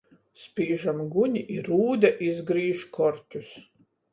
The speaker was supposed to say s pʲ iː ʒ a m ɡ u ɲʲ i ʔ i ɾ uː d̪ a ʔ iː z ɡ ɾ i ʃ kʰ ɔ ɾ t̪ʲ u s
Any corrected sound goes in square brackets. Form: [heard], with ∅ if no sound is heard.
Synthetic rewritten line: s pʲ iː ʒ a m ɡ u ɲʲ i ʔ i ɾ uː d̪ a ʔ [i] z ɡ ɾ [iː] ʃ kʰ ɔ ɾ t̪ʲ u s